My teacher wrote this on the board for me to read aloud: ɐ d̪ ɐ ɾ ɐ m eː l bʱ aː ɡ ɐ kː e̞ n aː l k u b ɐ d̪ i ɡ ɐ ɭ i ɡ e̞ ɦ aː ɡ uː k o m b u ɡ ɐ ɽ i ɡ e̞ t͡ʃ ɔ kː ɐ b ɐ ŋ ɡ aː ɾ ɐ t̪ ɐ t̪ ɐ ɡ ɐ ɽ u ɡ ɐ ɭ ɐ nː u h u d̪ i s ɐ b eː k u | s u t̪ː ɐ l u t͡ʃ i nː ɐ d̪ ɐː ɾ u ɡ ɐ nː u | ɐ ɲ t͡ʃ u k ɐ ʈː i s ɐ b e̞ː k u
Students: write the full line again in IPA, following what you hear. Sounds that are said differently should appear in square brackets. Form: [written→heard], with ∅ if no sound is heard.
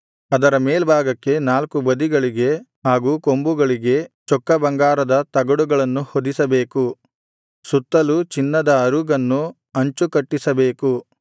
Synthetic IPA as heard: ɐ d̪ ɐ ɾ ɐ m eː l bʱ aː ɡ ɐ kː e̞ n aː l k u b ɐ d̪ i ɡ ɐ ɭ i ɡ e̞ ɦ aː ɡ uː k o m b u ɡ ɐ [ɽ→ɭ] i ɡ e̞ t͡ʃ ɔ kː ɐ b ɐ ŋ ɡ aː ɾ ɐ [t̪→d̪] ɐ t̪ ɐ ɡ ɐ ɽ u ɡ ɐ ɭ ɐ nː u h [u→o] d̪ i s ɐ b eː k u | s u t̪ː ɐ l u t͡ʃ i nː ɐ d̪ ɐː ɾ u ɡ ɐ nː u | ɐ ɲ t͡ʃ u k ɐ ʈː i s ɐ b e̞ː k u

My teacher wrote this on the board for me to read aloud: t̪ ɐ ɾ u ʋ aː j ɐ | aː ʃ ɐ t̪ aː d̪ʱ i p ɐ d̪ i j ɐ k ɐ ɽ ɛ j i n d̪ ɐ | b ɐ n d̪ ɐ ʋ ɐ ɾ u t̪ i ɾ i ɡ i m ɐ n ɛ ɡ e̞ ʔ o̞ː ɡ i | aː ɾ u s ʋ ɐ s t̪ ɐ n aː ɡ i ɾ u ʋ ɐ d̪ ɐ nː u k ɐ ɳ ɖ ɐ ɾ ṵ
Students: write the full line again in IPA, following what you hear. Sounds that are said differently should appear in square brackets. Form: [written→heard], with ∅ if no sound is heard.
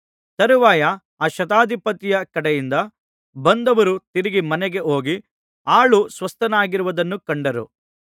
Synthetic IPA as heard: t̪ ɐ ɾ u ʋ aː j ɐ | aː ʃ ɐ t̪ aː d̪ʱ i p ɐ [d̪→t̪] i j ɐ k ɐ ɽ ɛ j i n d̪ ɐ | b ɐ n d̪ ɐ ʋ ɐ ɾ u t̪ i ɾ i ɡ i m ɐ n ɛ ɡ e̞ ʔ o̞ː ɡ i | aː [ɾ→ɭ] u s ʋ ɐ s t̪ ɐ n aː ɡ i ɾ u ʋ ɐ d̪ ɐ nː u k ɐ ɳ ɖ ɐ ɾ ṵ

